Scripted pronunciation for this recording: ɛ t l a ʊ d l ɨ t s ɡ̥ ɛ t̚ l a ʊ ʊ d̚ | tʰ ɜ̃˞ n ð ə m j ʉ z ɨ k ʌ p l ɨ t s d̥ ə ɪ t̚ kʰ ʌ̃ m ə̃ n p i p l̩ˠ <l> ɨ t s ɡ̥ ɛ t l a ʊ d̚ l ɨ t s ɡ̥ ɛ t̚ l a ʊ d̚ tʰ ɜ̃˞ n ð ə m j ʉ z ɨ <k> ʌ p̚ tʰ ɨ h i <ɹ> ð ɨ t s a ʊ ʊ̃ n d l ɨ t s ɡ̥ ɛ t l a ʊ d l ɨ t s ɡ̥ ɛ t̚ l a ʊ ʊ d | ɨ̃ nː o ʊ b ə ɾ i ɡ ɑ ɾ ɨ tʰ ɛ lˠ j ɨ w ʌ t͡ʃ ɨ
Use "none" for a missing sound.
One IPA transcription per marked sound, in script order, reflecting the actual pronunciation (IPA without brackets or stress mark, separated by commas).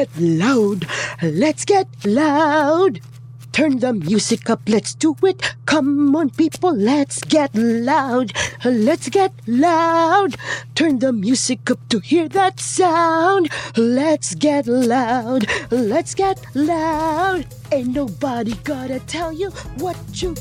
l, k, ɹ